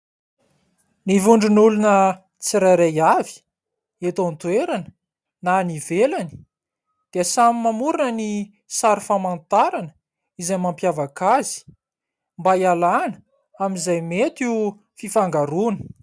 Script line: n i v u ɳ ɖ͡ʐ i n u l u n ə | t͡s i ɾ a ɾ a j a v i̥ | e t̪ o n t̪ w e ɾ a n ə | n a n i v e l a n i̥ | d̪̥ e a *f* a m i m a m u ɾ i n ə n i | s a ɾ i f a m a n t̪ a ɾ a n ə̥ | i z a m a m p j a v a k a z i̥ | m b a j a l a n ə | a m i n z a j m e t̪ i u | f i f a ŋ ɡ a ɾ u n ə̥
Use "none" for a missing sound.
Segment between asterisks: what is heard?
s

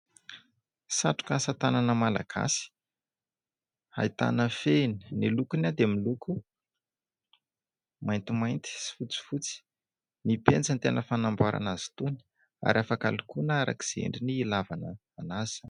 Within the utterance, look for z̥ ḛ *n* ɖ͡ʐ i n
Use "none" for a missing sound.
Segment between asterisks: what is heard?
ɳ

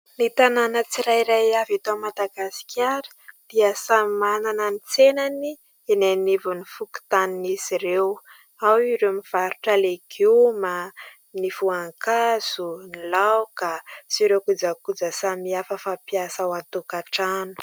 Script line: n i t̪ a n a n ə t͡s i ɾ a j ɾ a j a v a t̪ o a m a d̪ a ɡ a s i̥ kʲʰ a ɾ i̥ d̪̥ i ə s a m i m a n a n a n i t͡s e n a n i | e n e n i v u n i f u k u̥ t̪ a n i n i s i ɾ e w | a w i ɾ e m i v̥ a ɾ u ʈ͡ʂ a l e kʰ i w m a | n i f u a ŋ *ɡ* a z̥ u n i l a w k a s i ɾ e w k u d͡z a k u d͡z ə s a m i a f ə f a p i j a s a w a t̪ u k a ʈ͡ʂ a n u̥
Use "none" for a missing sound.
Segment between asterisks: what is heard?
k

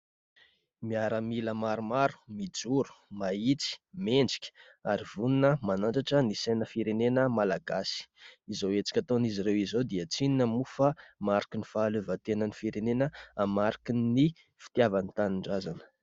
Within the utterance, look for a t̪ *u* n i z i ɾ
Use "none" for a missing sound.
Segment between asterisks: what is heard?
o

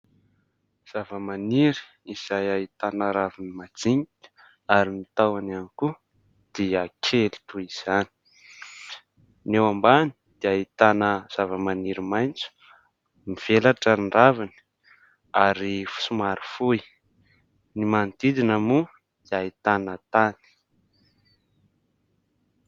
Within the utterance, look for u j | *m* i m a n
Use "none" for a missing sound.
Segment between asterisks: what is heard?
n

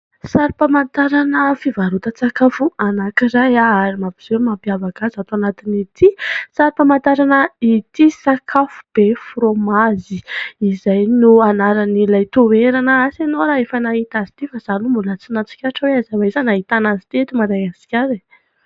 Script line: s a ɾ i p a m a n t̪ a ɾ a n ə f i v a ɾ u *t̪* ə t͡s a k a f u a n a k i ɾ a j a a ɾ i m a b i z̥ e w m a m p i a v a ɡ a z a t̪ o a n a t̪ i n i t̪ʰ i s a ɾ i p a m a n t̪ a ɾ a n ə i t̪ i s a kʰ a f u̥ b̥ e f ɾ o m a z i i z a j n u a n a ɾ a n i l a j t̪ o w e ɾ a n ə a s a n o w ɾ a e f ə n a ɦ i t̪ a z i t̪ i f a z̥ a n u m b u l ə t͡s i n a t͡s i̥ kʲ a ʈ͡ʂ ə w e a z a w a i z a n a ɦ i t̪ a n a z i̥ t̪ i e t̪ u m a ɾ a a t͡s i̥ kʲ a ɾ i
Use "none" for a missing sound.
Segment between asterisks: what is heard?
t̪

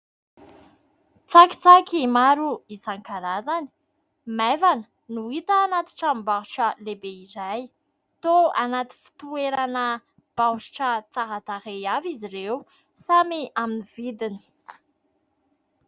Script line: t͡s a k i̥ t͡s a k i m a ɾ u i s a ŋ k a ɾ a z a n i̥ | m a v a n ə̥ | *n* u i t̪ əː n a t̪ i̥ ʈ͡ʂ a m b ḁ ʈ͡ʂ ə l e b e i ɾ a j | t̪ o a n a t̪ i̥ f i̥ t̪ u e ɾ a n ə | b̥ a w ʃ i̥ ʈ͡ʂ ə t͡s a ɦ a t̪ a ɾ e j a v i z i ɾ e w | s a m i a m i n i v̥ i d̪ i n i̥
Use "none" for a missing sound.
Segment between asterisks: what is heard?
n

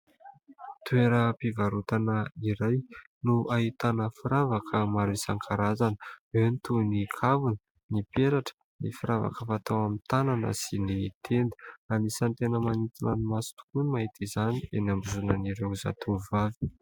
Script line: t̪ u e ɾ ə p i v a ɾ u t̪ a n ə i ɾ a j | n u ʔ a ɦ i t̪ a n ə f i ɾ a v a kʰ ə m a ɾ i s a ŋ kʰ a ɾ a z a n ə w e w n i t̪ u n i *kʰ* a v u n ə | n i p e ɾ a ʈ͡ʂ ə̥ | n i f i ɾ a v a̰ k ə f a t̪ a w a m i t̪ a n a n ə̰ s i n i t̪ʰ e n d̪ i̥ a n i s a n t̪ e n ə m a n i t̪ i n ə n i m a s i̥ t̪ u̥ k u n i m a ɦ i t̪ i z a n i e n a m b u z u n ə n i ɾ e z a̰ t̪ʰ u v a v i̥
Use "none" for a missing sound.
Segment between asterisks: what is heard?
kʰ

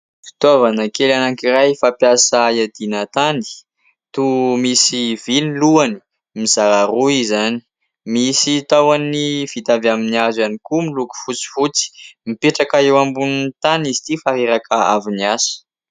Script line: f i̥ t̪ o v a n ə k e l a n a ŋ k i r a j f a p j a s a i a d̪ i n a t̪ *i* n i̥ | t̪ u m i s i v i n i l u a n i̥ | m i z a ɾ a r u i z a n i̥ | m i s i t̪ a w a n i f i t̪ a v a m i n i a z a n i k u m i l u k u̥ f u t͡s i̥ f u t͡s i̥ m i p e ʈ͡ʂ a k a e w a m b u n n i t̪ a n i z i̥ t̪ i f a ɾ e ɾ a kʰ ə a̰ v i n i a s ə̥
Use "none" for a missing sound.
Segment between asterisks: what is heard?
a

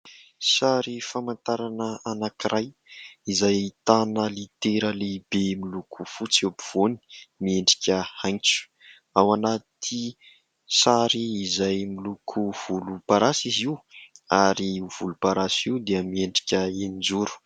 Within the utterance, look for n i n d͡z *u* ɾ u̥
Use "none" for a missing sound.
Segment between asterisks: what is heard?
u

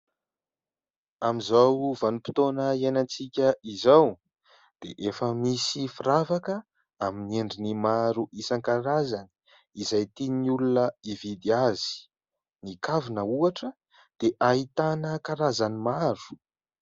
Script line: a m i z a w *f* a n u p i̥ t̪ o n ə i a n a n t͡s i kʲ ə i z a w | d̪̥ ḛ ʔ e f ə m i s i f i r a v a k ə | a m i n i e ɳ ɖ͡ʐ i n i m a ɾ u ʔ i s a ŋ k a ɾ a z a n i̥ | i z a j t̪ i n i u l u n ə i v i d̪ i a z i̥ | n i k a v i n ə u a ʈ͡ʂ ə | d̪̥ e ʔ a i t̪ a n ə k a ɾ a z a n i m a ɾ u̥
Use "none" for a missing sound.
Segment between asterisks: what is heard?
v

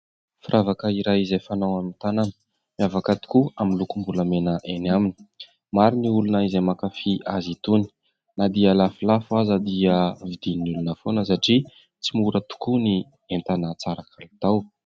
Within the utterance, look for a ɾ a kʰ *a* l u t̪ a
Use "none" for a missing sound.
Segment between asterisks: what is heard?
a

